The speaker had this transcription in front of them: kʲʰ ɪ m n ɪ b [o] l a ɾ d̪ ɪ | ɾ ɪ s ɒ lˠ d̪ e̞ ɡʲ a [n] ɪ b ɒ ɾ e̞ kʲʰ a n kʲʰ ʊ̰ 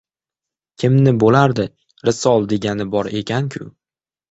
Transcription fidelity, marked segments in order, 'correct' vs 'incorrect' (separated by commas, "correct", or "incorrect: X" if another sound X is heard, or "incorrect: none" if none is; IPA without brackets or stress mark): correct, correct